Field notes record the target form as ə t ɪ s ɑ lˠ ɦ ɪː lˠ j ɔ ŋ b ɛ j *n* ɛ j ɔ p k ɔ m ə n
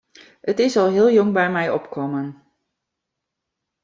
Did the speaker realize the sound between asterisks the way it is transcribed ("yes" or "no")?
no